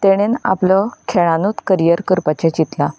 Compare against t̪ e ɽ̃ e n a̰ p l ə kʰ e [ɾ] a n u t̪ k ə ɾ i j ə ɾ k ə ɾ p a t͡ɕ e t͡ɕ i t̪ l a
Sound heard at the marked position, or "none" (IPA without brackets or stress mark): ɭ